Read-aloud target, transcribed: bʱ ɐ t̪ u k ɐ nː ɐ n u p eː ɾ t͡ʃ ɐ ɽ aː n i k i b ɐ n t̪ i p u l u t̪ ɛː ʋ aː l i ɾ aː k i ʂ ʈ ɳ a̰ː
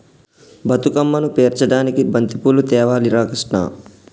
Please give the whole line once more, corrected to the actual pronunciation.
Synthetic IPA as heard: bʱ ɐ t̪ u k ɐ mː ɐ n u p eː ɾ t͡ʃ ɐ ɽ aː n i k i b ɐ n t̪ i p u l u t̪ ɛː ʋ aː l i ɾ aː k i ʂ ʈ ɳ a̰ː